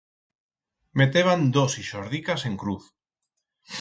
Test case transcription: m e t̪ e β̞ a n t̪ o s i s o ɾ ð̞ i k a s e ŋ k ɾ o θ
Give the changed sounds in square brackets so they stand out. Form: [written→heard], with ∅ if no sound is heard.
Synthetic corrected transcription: m e t̪ e β̞ a n [t̪→d̪] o s i [s→ʃ] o ɾ ð̞ i k a s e ŋ k ɾ [o→u] θ